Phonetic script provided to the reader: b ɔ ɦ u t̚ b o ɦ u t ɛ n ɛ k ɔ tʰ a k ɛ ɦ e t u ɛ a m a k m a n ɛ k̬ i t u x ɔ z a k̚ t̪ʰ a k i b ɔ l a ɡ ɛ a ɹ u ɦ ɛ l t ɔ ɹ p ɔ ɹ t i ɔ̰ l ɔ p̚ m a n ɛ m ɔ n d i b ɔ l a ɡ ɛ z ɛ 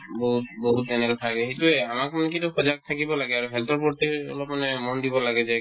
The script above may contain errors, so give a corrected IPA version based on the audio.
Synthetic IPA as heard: b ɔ ɦ u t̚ b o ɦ u t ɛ n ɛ k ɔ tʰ a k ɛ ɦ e t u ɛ a m a k m a n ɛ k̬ i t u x ɔ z a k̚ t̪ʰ a k i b ɔ l a ɡ ɛ a ɹ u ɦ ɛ l t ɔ ɹ p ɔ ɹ t i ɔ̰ l ɔ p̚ m a n ɛ m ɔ n d i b ɔ l a ɡ ɛ z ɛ